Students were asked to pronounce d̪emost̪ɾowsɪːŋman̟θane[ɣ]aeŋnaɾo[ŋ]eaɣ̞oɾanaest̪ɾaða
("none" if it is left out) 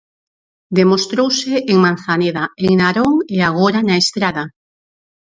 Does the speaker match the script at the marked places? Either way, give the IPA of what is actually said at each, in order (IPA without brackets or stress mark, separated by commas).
ð, ŋ